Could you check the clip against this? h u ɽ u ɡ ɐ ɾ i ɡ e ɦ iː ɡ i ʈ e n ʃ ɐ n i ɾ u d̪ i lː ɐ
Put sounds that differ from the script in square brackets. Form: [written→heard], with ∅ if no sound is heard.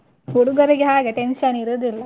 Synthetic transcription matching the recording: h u ɽ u ɡ ɐ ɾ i ɡ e ɦ [iː→aː] ɡ [i→e] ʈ e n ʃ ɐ n i ɾ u d̪ i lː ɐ